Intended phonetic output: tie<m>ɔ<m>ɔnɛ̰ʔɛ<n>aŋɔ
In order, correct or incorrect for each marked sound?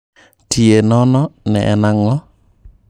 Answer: incorrect: n, incorrect: n, correct

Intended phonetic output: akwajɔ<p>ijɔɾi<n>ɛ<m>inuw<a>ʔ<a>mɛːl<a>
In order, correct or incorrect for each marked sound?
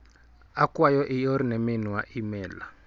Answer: incorrect: ʔ, correct, correct, correct, incorrect: i, correct

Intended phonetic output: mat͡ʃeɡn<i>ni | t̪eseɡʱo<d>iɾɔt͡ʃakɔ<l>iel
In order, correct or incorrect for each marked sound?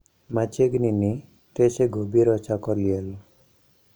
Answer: correct, incorrect: b, correct

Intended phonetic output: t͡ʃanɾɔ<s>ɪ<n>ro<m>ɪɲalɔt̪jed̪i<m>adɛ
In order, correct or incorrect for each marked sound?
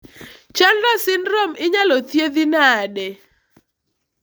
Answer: correct, correct, correct, incorrect: n

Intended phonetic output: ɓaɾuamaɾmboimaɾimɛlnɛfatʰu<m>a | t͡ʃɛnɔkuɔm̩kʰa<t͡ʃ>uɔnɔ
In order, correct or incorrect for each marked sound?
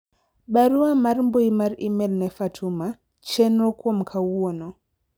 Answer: correct, incorrect: none

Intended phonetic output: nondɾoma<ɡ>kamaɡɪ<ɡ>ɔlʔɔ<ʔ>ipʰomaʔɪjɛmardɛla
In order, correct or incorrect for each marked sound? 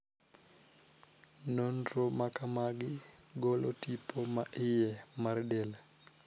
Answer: incorrect: none, correct, incorrect: t

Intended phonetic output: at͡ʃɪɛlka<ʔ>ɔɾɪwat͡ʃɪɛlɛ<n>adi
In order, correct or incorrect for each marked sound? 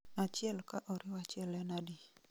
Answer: correct, correct

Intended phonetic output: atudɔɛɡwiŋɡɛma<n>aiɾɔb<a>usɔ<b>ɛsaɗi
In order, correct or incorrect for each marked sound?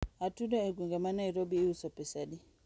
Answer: correct, incorrect: i, incorrect: p

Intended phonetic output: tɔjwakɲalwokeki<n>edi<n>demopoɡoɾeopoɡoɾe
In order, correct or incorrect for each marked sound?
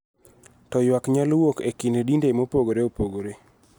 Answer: correct, correct

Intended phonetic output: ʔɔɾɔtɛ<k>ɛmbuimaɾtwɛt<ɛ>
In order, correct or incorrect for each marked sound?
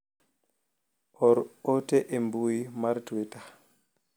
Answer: incorrect: ʔ, incorrect: a

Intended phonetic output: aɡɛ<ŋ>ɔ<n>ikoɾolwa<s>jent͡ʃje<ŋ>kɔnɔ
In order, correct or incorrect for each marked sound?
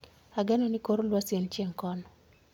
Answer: incorrect: n, correct, correct, correct

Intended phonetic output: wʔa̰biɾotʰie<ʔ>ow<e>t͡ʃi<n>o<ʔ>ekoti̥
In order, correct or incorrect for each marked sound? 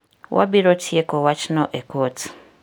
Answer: incorrect: k, incorrect: a, correct, correct

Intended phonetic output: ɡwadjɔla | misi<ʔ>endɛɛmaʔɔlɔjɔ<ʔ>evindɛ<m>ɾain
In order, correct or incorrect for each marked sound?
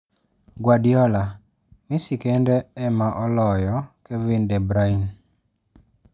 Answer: incorrect: k, incorrect: k, incorrect: b

